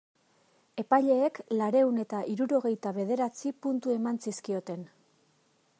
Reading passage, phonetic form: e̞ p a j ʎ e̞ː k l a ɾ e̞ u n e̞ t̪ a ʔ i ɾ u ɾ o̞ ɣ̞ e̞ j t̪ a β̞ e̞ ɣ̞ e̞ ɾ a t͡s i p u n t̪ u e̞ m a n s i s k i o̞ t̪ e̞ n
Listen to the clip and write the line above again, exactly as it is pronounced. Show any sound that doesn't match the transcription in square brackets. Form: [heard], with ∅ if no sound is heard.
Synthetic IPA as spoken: e̞ p a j ʎ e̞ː k l a ɾ e̞ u n e̞ t̪ a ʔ i ɾ u ɾ o̞ ɣ̞ e̞ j t̪ a β̞ e̞ [ð̞] e̞ ɾ a t͡s i p u n t̪ u e̞ m a n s i s k i o̞ t̪ e̞ n